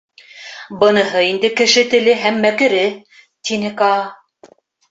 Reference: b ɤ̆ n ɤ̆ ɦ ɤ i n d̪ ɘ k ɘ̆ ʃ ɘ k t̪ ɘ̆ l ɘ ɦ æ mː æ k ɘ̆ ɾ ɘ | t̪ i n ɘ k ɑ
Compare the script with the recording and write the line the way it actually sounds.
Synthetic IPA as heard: b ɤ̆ n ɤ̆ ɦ ɤ i n d̪ ɘ k ɘ̆ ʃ ɘ t̪ ɘ̆ l ɘ ɦ æ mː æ k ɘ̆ ɾ ɘ | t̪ i n ɘ k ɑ